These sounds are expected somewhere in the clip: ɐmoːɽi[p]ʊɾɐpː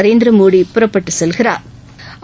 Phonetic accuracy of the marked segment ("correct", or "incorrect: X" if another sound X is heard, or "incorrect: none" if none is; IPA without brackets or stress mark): correct